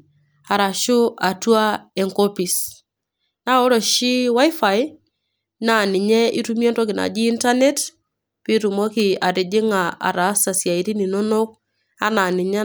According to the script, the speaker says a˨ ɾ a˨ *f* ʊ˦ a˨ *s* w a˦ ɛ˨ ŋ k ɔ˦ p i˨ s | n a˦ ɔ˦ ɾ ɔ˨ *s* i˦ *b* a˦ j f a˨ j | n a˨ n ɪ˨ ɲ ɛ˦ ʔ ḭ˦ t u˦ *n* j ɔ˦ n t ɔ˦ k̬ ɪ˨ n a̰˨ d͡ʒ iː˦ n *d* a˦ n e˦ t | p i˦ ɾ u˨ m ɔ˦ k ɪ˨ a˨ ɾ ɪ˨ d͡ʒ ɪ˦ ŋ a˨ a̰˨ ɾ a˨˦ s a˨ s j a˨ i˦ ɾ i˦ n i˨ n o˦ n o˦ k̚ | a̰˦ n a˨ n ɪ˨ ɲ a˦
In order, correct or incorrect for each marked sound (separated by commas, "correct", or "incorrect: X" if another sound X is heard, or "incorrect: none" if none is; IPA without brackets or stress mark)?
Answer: incorrect: ʃ, incorrect: t, incorrect: ʃ, incorrect: w, incorrect: m, incorrect: t